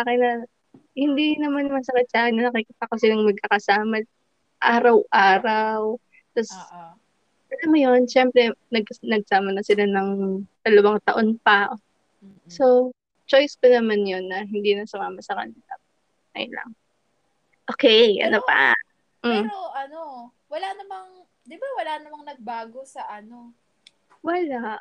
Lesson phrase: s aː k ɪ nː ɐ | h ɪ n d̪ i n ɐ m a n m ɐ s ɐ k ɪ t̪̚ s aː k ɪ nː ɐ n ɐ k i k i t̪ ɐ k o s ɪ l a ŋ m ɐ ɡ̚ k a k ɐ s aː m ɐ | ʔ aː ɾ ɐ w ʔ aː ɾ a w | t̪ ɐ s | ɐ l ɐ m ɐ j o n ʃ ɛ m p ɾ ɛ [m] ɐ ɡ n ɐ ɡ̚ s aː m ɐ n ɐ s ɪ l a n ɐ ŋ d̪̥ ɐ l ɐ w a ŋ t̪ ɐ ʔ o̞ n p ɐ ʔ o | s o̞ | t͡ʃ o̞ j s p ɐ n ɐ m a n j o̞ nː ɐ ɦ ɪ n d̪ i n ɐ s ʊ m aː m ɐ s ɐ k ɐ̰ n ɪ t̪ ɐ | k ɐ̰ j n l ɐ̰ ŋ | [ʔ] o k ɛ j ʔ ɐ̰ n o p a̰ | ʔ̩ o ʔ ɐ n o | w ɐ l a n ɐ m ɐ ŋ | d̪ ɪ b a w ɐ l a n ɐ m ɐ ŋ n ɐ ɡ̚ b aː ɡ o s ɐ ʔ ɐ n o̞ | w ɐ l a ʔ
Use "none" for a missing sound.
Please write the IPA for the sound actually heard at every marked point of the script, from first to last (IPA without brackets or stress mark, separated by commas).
n, ʔ